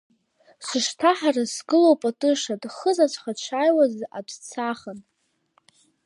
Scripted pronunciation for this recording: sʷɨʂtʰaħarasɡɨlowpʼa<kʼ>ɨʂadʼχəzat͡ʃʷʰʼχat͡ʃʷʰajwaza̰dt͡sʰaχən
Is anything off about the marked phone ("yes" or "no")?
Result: yes